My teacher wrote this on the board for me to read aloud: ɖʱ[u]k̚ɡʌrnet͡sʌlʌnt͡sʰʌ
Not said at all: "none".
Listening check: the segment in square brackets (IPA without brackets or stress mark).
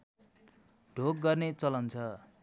o